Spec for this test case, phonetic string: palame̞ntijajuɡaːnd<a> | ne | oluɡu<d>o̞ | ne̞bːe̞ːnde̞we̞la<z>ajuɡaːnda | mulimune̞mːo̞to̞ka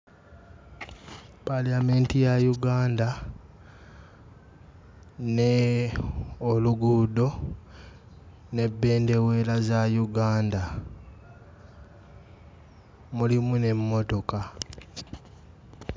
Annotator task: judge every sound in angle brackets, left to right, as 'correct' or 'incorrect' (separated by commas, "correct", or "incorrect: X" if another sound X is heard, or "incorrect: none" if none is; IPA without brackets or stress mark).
correct, correct, correct